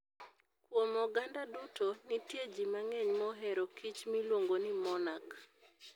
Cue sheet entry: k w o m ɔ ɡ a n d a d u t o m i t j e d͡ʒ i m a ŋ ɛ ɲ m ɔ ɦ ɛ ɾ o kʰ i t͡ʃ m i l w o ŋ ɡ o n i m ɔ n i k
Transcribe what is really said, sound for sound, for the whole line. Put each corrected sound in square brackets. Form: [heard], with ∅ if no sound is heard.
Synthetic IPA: k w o m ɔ ɡ a n d a d u t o [n] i t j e d͡ʒ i m a ŋ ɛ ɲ m ɔ ɦ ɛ ɾ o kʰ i t͡ʃ m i l w o ŋ ɡ o n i m ɔ n [a] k